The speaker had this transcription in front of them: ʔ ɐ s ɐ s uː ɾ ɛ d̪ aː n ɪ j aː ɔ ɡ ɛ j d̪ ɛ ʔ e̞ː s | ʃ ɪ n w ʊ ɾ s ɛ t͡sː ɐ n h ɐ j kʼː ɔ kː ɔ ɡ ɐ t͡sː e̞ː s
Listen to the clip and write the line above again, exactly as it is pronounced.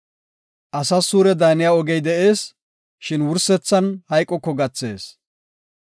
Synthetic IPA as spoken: ʔ ɐ s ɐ s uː ɾ ɛ d̪ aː n ɪ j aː ɔ ɡ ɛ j d̪ ɛ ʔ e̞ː s | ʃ ɪ n w ʊ ɾ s ɛ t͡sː ɐ n h ɐ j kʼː ɔ kː ɔ ɡ ɐ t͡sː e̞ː s